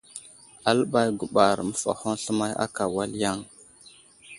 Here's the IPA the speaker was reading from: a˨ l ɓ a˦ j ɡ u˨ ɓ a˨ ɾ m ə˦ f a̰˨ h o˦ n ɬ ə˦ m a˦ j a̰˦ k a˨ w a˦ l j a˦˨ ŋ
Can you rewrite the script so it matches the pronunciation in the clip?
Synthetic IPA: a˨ l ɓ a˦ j ɡ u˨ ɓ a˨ ɾ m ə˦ f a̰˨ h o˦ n ɬ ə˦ m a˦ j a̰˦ k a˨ w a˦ l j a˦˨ ŋ

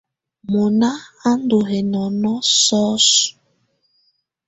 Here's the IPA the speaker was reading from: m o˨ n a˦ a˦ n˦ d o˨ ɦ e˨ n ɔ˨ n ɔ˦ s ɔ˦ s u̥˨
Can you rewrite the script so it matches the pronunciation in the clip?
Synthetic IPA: m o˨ n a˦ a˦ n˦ d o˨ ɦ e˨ n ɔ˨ n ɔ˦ s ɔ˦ s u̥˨

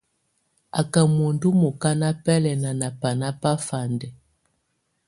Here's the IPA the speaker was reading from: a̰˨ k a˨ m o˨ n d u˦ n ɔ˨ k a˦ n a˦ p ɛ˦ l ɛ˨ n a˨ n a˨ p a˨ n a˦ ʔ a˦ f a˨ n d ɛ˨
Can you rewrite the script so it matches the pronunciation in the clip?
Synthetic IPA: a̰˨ k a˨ m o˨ n d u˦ m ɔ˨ k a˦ n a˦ p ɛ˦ l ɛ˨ n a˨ n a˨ p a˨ n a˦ p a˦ f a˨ n d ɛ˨

